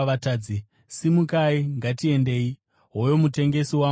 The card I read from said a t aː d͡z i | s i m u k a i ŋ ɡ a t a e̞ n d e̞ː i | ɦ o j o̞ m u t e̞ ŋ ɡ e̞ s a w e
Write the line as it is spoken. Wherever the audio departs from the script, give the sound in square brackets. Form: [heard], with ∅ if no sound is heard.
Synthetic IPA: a t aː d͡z i | s i m u k a i ŋ ɡ a t [i] e̞ n d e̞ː i | ɦ o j o̞ m u t e̞ ŋ ɡ e̞ s [i] w [a]